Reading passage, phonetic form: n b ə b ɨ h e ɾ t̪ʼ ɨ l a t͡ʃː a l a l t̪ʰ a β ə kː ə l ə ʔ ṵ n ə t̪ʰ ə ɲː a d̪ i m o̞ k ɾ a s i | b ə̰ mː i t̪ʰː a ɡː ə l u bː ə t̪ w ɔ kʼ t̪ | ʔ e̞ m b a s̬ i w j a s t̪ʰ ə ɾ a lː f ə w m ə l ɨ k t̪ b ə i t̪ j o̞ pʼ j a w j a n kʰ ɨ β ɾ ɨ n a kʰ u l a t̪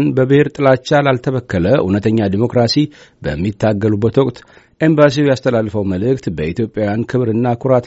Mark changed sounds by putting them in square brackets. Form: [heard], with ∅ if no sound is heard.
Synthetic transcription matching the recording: n b ə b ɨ h e ɾ t̪ʼ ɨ l a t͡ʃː a l a l t̪ʰ [ə] β ə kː ə l ə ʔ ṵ n ə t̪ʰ ə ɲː a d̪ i m o̞ k ɾ a s i | b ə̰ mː i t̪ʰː a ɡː ə l u bː ə t̪ w ɔ kʼ t̪ | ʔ e̞ m b a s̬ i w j a s t̪ʰ ə [l] a lː f ə w m ə l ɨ k t̪ b ə i t̪ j o̞ pʼ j a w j a n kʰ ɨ β ɾ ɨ [nː] a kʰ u [ɾ] a t̪